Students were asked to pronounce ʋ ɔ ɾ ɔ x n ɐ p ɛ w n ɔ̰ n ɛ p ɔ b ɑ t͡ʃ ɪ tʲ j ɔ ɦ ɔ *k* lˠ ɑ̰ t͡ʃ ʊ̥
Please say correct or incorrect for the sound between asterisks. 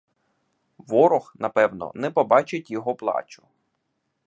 incorrect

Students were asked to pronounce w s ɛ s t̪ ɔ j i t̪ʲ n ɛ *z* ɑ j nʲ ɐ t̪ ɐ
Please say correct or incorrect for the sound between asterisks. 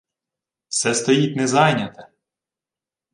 correct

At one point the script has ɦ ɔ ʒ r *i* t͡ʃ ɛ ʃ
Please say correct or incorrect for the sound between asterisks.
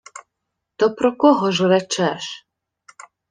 incorrect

